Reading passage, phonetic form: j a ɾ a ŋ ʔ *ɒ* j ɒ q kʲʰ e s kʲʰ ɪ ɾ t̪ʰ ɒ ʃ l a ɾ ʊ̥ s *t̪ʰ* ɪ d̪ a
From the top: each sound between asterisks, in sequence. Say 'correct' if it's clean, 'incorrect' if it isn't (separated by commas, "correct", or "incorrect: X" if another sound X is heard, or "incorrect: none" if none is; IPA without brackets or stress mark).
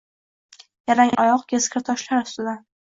correct, incorrect: t̪